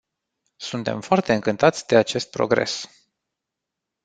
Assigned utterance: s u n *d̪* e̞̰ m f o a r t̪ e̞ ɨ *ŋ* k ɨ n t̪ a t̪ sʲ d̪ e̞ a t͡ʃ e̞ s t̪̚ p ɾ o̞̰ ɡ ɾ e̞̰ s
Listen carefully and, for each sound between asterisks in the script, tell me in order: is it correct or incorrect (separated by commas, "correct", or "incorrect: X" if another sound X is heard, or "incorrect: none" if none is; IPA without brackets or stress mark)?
incorrect: t̪, correct